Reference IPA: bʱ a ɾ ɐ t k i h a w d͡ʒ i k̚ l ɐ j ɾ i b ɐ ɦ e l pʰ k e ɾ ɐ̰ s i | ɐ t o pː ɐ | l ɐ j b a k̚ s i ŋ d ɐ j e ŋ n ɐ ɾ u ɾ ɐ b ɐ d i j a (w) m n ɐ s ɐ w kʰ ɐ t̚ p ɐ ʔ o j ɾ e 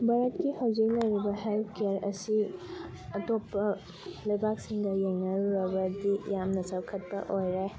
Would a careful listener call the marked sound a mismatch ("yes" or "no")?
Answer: yes